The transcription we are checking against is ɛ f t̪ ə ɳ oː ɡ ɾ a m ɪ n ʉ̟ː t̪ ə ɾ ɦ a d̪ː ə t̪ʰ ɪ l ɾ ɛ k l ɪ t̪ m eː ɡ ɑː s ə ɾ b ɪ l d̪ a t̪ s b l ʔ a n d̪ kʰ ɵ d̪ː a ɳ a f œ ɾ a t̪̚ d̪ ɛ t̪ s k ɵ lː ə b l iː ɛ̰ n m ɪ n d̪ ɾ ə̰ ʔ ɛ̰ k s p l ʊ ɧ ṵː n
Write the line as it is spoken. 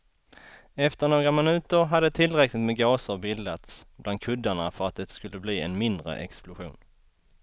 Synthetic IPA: ɛ f t̪ ə ɳ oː ɡ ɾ a m ɪ n ʉ̟ː t̪ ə ɾ ɦ a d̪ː ə t̪ʰ ɪ l ɾ ɛ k l ɪ t̪ m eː ɡ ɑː s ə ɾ b ɪ l d̪ a t̪ s b l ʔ a n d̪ kʰ ɵ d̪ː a ɳ a f œ ɾ a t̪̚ d̪ ɛ t̪ s k ɵ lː ə b l iː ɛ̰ n m ɪ n d̪ ɾ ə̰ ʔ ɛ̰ k s p l ʊ ɧ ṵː n

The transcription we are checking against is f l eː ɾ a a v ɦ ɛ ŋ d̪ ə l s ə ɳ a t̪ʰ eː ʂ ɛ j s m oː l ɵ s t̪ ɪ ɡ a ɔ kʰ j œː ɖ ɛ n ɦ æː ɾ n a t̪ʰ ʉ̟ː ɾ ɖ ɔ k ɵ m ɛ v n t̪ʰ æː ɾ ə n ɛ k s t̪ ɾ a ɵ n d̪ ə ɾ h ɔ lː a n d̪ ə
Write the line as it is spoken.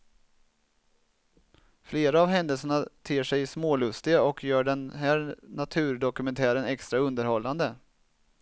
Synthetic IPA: f l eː ɾ a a v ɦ ɛ n d̪ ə l s ə ɳ a t̪ʰ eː ʂ ɛ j s m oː l ɵ s t̪ ɪ ɡ a ɔ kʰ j œː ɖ ɛ n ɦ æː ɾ n a t̪ʰ ʉ̟ː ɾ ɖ ɔ k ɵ m ɛ n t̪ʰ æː ɾ ə n ɛ k s t̪ ɾ a ɵ n d̪ ə ɾ h ɔ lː a n d̪ ə

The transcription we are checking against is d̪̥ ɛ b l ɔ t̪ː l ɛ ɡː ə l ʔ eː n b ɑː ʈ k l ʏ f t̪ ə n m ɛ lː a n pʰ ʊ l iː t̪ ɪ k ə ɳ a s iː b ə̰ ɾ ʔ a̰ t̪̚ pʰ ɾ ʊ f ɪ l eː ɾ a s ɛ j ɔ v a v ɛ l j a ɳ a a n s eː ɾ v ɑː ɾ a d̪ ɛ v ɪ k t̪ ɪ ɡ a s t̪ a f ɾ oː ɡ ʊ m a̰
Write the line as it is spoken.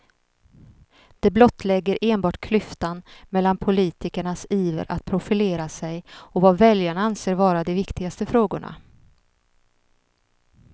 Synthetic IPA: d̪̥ ɛ b l ɔ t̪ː l ɛ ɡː ə ɾ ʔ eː n b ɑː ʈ kʰ l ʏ f t̪ a n m ɛ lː a n pʰ ʊ l iː t̪ ɪ k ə ɳ a s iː v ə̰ ɾ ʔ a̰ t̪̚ pʰ ɾ ʊ f ɪ l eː ɾ a s ɛ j ɔ v a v ɛ l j a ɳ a a n s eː ɾ v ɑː ɾ a d̪ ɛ v ɪ k t̪ ɪ ɡ a s t̪ ə f ɾ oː ɡ ʊ ɳ a̰

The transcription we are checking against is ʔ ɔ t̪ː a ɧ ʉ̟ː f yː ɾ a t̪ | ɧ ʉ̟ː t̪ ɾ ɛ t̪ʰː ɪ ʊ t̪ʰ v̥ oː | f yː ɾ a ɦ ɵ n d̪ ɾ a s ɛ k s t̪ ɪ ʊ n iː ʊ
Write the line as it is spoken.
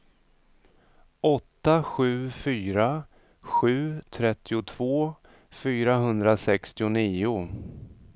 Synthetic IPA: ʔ ɔ t̪ː a ɧ ʉ̟ː f yː ɾ a | ɧ ʉ̟ː t̪ʰ ɾ ɛ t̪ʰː ɪ ʊ t̪ʰ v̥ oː | f yː ɾ a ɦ ɵ n d̪ ɾ a s ɛ k s t̪ ɪ ʊ n iː ʊ

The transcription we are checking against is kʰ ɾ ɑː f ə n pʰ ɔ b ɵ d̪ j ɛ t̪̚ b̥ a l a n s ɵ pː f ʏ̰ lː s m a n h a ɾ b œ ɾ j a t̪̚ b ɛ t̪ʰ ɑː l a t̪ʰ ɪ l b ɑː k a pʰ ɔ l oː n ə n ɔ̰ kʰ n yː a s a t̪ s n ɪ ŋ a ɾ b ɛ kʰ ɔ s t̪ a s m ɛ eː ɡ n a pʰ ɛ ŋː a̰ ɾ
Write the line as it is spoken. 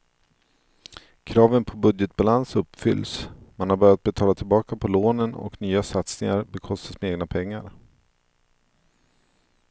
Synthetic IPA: kʰ ɾ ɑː v ə n pʰ ɔ b ɵ d̪ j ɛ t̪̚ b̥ a l a n s ɵ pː f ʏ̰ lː s m a n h a ɾ b œ ɾ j a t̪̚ b ɛ t̪ʰ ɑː l a t̪ʰ ɪ l b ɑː k a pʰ ɔ l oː n ə n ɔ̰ k n yː a s a t̪ s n ɪ ŋ a ɾ b ɛ kʰ ɔ s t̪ a s m ɛ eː ɡ n a pʰ ɛ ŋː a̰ ɾ

